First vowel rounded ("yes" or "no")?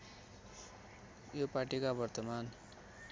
yes